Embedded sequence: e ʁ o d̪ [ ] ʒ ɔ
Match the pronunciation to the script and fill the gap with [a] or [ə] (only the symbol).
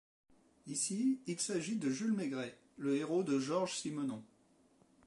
ə